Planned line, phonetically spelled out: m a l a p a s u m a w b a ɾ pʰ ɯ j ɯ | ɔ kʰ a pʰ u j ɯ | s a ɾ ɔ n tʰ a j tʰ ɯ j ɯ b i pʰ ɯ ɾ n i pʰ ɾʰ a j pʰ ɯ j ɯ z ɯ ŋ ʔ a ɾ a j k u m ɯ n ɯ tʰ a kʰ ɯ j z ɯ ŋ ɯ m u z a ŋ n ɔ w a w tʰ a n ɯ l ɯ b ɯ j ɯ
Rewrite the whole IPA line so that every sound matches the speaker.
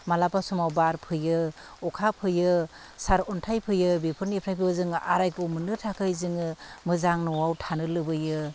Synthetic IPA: m a l a p a s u m a w b a ɾ pʰ ɯ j ɯ | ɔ kʰ a pʰ ɯ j ɯ | s a ɾ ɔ n tʰ a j pʰ ɯ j ɯ b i pʰ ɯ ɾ n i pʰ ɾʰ a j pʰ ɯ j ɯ z ɯ ŋ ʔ a ɾ a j k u m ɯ n ɯ tʰ a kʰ ɯ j z ɯ ŋ ɯ m ɯ z a ŋ n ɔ w a w tʰ a n ɯ l ɯ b ɯ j ɯ